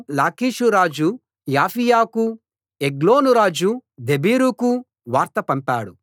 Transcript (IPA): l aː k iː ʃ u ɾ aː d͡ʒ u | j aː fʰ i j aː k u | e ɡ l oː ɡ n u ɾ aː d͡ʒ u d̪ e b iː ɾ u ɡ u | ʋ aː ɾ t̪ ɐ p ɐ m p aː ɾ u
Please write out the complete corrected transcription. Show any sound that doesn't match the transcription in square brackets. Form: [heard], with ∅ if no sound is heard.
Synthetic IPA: l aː k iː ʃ u ɾ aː d͡ʒ u | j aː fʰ i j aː k u | e ɡ l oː [∅] n u ɾ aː d͡ʒ u d̪ e b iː ɾ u [k] u | ʋ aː ɾ t̪ ɐ p ɐ m p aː [ɽ] u